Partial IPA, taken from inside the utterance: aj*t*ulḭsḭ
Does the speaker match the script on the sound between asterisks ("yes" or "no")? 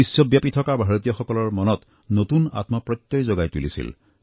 yes